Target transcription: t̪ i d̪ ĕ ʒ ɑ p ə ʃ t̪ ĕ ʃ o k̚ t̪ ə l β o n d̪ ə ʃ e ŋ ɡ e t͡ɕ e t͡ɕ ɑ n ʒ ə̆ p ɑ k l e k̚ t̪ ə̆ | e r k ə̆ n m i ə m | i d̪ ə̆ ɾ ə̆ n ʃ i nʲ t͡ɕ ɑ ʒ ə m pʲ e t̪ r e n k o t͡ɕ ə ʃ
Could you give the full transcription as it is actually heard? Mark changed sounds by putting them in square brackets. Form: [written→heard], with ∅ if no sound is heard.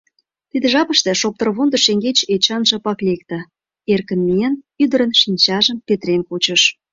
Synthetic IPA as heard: t̪ i d̪ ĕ ʒ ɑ p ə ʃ t̪ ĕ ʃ o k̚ t̪ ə [l→r] β o n d̪ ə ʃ e ŋ ɡ e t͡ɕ e t͡ɕ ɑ n ʒ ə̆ p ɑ k l e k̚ t̪ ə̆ | e r k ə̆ n m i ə [m→n] | [i→y] d̪ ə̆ ɾ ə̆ n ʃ i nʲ t͡ɕ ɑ ʒ ə m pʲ e t̪ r e n k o t͡ɕ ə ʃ